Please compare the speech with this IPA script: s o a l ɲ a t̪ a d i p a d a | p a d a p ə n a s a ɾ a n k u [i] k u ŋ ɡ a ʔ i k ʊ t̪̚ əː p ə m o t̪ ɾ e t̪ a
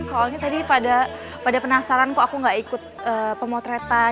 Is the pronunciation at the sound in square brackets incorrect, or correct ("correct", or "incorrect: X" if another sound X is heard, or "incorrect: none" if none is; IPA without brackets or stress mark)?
incorrect: a